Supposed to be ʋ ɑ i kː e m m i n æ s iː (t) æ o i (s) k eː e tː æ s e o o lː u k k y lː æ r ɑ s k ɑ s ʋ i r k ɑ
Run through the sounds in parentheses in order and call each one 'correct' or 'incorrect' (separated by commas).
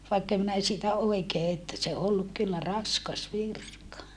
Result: correct, incorrect